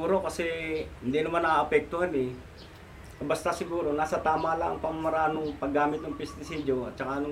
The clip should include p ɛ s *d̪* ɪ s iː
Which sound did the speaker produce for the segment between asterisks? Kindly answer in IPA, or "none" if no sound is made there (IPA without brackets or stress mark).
t̪